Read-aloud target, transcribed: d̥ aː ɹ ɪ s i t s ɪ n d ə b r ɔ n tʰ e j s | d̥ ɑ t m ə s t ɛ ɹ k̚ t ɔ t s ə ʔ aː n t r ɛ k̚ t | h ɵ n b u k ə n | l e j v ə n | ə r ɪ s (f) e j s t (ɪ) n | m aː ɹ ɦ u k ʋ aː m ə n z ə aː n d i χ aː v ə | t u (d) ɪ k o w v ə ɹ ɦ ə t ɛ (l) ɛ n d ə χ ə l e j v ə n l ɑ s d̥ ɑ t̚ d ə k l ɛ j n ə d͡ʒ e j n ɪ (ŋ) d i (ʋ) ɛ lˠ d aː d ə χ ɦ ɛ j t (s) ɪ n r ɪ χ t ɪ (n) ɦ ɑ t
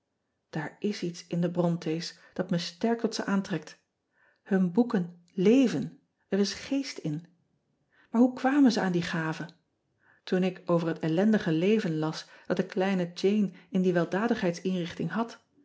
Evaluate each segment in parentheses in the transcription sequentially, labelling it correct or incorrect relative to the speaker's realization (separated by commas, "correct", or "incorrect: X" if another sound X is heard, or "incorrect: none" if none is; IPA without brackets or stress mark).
incorrect: χ, correct, incorrect: n, correct, incorrect: n, correct, correct, incorrect: ŋ